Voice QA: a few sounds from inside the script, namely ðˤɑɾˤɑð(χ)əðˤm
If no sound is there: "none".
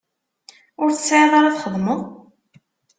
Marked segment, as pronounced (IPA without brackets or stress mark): χ